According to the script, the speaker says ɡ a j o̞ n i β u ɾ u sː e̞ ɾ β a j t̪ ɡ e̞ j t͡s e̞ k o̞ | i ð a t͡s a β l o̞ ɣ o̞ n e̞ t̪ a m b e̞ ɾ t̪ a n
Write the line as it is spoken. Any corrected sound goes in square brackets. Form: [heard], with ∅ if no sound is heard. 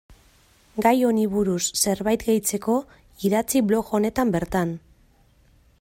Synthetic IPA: ɡ a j o̞ n i β u ɾ u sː e̞ ɾ β a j t̪ ɡ e̞ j t͡s e̞ k o̞ | i ð a t͡s [i] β l o̞ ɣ o̞ n e̞ t̪ a m b e̞ ɾ t̪ a n